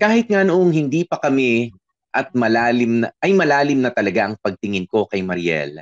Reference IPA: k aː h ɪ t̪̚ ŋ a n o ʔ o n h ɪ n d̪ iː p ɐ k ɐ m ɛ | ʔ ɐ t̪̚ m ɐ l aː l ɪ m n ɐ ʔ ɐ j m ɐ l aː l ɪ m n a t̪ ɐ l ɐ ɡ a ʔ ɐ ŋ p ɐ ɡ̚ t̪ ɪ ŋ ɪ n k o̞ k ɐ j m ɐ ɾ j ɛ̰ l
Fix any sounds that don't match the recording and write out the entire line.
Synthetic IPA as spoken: k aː h ɪ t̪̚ ŋ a n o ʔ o ŋ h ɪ n d̪ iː p ɐ k ɐ m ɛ | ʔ ɐ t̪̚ m ɐ l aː l ɪ m n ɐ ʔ ɐ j m ɐ l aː l ɪ m n ɐ t̪ ɐ l ɐ ɡ a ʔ ɐ ŋ p ɐ ɡ̚ t̪ ɪ ŋ ɪ n k o̞ k ɐ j m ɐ ɾ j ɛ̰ l